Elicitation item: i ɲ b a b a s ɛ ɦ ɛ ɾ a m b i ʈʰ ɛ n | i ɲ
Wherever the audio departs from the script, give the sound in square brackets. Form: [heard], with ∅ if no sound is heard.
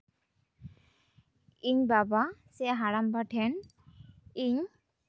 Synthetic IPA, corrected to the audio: i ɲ b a b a s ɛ ɦ [a] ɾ a m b [a] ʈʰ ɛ n | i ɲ